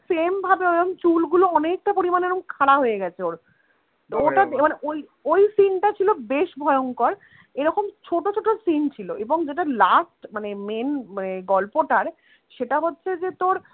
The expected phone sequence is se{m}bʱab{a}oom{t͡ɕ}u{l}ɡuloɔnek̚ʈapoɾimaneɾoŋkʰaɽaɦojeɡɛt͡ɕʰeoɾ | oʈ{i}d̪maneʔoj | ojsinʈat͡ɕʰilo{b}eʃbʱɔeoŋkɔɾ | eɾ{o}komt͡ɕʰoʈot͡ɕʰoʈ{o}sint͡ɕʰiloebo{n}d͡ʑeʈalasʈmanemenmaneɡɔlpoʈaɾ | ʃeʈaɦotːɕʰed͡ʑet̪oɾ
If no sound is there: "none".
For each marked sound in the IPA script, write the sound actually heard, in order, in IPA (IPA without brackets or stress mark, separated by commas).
m, e, t͡ɕ, l, a, b, ɔ, o, ŋ